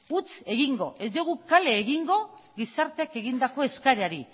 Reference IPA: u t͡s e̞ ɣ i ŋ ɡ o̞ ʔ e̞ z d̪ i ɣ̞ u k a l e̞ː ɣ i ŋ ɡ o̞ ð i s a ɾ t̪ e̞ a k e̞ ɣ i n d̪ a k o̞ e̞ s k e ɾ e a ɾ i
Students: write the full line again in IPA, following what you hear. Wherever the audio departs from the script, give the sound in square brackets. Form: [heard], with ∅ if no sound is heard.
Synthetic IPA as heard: u t͡s e̞ ɣ i ŋ ɡ o̞ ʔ e̞ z d̪ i ɣ̞ u k a l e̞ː ɣ i ŋ ɡ o̞ [ɣ] i s a ɾ t̪ e̞ a k e̞ ɣ i n d̪ a k o̞ e̞ s k [a] ɾ e a ɾ i